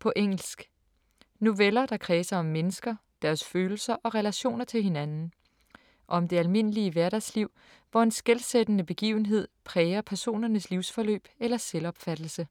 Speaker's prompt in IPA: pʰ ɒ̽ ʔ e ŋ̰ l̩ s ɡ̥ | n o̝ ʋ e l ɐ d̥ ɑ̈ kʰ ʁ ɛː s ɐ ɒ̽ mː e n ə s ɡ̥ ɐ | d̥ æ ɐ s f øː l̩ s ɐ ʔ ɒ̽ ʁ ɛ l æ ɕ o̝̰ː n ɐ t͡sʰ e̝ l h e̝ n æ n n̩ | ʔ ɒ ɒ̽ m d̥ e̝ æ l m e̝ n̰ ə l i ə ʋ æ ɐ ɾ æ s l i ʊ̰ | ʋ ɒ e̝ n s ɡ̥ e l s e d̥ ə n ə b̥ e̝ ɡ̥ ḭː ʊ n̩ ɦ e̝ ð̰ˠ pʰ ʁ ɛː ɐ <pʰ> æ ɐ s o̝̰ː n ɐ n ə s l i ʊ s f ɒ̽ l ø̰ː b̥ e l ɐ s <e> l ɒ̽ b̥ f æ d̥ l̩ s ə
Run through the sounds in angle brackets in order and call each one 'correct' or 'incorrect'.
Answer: correct, correct

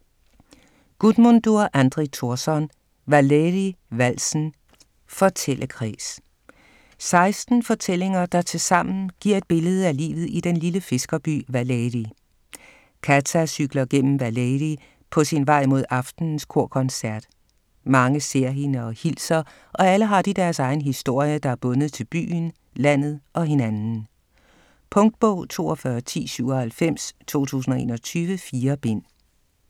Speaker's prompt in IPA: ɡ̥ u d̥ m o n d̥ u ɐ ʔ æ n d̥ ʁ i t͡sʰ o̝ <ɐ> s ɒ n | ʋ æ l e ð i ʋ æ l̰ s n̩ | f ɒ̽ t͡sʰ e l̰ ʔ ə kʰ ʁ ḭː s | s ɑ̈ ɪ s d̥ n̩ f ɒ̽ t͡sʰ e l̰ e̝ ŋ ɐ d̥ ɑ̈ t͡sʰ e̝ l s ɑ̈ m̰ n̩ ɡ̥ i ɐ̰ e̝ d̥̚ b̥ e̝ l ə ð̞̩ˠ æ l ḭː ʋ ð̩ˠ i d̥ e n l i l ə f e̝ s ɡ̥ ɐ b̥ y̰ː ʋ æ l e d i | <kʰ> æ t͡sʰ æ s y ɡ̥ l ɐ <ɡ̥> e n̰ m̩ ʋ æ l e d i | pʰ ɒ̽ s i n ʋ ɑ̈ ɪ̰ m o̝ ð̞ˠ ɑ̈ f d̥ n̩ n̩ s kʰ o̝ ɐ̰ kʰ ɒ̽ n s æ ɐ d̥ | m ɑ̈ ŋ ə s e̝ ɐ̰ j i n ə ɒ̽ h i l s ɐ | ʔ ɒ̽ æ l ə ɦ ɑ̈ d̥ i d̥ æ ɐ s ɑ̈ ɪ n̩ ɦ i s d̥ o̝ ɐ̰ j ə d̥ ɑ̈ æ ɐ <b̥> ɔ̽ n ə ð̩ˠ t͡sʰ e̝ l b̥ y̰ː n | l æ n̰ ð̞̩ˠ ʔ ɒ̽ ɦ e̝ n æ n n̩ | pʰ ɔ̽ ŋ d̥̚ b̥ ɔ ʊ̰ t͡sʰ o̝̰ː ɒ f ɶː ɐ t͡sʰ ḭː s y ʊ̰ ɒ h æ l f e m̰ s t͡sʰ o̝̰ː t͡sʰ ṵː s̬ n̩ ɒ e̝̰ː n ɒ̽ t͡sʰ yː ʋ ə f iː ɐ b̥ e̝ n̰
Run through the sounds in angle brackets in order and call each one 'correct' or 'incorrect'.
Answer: correct, correct, correct, correct

